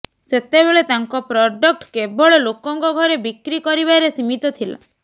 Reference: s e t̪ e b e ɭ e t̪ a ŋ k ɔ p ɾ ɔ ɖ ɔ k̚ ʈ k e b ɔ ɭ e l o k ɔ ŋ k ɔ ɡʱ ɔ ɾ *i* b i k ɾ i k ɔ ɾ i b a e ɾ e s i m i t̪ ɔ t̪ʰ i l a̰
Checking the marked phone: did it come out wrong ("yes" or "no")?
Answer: yes